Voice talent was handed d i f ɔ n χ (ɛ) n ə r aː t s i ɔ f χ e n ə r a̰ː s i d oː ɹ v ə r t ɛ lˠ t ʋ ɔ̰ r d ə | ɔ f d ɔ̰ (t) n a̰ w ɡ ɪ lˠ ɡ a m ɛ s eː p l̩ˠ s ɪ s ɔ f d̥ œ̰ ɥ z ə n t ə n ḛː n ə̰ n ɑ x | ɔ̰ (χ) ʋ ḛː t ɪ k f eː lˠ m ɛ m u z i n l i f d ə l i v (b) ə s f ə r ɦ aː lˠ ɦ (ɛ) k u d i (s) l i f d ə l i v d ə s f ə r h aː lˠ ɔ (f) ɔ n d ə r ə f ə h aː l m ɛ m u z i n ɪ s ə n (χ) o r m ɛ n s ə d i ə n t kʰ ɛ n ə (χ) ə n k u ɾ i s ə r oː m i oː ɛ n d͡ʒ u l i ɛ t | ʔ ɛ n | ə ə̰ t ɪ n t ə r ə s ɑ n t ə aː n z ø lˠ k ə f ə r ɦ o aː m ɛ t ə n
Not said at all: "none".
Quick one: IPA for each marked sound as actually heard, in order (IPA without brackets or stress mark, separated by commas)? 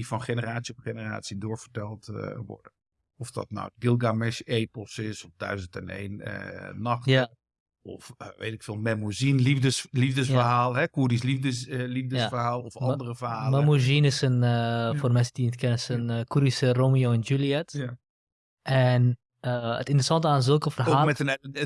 e, t, f, d, ɛ, s, f, f, s